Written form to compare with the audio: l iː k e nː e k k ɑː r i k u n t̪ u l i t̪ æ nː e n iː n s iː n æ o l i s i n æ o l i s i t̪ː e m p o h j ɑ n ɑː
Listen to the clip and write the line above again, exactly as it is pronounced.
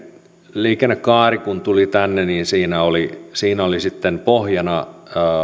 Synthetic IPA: l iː k e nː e k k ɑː r i k u n t̪ u l i t̪ æ nː e n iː n s iː n æ o l i s iː n æ o l i s i t̪ː e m p o h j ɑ n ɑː